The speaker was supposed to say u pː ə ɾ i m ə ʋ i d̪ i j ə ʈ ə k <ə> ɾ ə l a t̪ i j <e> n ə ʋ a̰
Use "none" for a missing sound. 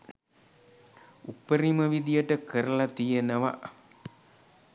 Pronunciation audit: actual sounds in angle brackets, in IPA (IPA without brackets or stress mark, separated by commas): ə, e